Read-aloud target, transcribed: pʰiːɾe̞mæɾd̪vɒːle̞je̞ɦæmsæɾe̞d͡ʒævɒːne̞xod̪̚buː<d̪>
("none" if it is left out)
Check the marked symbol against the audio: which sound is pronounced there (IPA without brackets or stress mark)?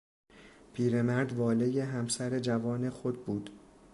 d̪